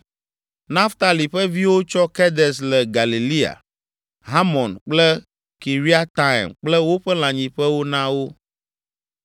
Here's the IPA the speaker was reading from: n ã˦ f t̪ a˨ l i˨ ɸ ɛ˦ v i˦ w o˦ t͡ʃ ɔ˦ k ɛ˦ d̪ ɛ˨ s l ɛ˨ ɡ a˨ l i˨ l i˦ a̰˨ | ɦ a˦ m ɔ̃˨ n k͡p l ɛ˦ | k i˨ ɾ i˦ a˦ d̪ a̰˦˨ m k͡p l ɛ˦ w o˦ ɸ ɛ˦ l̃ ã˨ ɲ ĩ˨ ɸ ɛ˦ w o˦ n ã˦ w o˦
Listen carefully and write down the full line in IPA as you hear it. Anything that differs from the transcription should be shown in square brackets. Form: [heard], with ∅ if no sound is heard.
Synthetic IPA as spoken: n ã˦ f t̪ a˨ l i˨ ɸ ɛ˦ v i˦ w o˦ t͡ʃ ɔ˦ k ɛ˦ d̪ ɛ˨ s l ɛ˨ ɡ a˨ l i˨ l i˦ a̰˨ | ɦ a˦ m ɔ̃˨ n k͡p l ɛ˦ | k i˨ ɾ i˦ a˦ [t̪] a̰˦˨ m k͡p l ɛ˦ w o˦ ɸ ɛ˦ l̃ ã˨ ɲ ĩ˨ ɸ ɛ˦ w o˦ n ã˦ w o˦